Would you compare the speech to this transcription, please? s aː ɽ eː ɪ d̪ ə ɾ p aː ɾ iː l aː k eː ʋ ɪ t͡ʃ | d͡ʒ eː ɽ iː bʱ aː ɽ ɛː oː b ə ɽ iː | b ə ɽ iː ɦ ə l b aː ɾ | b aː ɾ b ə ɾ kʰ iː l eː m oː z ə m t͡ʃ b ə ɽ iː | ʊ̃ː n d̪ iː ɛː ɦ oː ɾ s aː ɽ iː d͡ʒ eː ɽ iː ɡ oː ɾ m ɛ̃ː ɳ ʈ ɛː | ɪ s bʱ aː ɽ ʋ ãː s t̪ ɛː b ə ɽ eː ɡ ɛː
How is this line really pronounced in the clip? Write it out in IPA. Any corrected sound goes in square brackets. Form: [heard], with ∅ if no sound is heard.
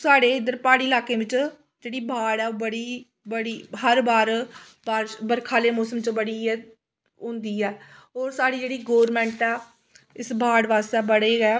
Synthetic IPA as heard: s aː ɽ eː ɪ d̪ ə ɾ p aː [ɽ] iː l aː k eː ʋ ɪ t͡ʃ | d͡ʒ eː ɽ iː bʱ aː ɽ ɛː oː b ə ɽ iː | b ə ɽ iː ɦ ə [ɾ] b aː ɾ | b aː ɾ b ə ɾ kʰ [aː] l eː m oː [s] ə m t͡ʃ b ə ɽ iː | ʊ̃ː n d̪ iː ɛː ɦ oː ɾ s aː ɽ iː d͡ʒ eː ɽ iː ɡ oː ɾ m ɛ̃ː ɳ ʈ ɛː | ɪ s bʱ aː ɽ ʋ [aː] s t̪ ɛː b ə ɽ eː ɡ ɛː